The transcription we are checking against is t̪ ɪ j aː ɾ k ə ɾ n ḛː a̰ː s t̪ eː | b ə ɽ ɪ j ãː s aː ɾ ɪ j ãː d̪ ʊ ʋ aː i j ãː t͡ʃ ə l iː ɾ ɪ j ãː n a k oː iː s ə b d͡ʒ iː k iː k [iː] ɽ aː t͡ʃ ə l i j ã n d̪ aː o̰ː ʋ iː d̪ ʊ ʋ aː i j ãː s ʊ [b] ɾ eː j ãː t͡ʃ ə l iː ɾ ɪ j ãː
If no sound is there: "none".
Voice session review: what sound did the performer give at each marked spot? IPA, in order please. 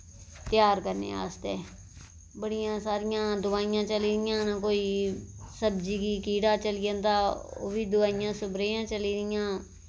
iː, b

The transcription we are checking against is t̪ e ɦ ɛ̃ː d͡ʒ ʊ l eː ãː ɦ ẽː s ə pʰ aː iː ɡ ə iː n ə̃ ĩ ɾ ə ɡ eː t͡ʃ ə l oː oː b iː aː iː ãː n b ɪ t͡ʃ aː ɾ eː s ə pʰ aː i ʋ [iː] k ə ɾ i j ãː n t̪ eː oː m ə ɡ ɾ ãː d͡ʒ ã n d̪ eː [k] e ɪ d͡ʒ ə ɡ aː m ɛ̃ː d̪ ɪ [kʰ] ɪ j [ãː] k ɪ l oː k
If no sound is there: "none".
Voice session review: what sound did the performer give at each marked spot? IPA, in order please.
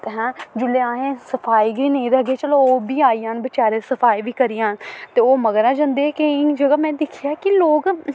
iː, k, kʰ, aː

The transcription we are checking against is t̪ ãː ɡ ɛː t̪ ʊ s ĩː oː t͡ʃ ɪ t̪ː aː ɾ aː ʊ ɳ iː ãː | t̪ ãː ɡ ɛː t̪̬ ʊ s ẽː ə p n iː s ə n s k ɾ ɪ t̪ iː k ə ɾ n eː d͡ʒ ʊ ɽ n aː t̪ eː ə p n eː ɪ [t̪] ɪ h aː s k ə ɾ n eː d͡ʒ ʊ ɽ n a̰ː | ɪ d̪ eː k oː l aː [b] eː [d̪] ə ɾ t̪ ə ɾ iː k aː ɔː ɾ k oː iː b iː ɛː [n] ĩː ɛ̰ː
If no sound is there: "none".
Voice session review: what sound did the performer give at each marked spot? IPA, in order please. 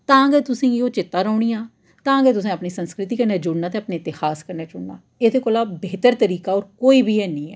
t̪, b, t̪, n

